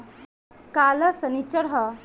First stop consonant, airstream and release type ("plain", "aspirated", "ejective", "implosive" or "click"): plain